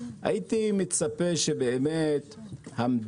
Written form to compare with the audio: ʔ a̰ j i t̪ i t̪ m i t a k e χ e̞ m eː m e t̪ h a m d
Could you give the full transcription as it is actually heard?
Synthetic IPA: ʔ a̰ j i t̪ i m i t͡s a p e ʃ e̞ b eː m e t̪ h a m d